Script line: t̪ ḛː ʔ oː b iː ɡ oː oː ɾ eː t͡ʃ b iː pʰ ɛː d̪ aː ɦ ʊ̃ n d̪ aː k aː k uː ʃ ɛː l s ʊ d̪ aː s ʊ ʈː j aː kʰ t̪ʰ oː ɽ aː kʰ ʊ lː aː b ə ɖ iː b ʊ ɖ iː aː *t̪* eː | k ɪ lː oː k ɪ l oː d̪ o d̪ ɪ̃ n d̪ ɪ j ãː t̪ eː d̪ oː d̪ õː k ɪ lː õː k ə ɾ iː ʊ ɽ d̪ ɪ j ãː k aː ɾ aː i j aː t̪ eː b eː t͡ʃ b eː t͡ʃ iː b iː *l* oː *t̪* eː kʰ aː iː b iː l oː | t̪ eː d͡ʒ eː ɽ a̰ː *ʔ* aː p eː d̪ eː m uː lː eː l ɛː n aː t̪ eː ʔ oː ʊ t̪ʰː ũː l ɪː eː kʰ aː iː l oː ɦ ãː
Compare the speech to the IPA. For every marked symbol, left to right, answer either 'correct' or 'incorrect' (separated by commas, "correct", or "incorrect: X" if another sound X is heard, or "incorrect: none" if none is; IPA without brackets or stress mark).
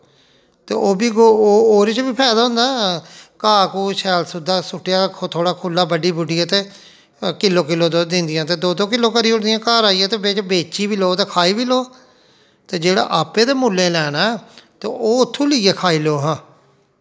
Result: correct, correct, correct, correct